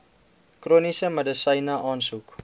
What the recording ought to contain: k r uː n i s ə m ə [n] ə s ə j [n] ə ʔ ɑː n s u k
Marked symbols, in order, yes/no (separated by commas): no, yes